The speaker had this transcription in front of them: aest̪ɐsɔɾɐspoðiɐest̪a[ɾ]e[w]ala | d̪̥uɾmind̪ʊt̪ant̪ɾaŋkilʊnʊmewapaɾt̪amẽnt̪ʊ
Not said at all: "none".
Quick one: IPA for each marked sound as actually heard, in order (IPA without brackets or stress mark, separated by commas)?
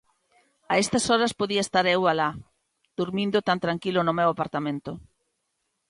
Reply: ɾ, w